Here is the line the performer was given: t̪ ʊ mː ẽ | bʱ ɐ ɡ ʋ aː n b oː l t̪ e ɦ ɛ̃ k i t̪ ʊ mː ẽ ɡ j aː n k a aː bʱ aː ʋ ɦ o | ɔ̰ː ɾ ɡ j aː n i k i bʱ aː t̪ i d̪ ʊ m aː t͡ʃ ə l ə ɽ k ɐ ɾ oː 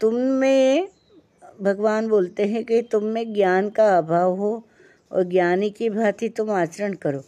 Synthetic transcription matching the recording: t̪ ʊ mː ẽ | bʱ ɐ ɡ ʋ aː n b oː l t̪ e ɦ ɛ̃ k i t̪ ʊ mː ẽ ɡ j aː n k a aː bʱ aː ʋ ɦ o | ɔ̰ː ɾ ɡ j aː n i k i bʱ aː t̪ i t̪ ʊ m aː t͡ʃ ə ɾ ə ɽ k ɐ ɾ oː